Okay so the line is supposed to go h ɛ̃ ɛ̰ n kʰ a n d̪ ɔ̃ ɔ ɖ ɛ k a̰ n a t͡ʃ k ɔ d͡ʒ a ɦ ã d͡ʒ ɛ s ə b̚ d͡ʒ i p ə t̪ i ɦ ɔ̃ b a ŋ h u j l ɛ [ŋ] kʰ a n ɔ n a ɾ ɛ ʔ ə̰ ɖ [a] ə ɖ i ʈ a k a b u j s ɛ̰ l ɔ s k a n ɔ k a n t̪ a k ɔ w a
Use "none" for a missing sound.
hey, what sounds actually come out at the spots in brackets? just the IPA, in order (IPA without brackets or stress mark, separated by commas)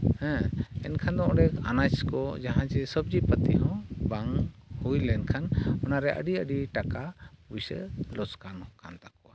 n, i